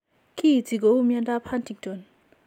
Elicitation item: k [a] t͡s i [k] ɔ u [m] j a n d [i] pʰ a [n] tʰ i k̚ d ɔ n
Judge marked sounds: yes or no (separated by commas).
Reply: no, no, yes, no, yes